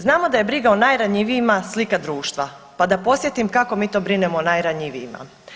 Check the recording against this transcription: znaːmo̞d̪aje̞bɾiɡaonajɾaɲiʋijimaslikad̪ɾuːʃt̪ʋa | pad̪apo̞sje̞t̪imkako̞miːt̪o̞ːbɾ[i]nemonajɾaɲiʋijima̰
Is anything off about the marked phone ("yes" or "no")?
no